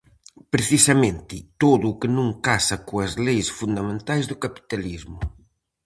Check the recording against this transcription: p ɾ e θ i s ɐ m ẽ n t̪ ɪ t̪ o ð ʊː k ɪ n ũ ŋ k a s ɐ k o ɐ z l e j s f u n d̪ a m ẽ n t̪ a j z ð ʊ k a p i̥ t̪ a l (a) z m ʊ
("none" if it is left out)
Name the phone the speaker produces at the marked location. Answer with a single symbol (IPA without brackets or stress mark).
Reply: i